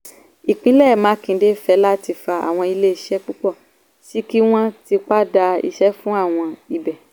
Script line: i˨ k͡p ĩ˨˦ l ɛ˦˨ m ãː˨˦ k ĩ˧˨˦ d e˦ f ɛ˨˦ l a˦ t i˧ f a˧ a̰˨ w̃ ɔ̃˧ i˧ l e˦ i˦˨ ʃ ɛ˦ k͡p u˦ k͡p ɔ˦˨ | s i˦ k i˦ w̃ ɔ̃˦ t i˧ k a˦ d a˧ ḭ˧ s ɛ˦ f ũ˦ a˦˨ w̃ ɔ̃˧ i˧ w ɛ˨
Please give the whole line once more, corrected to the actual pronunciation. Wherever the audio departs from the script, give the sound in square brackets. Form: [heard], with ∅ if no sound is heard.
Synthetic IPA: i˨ k͡p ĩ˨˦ l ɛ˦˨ m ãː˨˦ k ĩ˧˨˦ d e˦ f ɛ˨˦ l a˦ t i˧ f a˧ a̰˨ w̃ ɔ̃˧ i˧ l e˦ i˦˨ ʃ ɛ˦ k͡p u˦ k͡p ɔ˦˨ | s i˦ k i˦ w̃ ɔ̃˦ t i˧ [k͡p] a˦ d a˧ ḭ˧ [ʃ] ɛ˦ f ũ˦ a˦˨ w̃ ɔ̃˧ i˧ [b] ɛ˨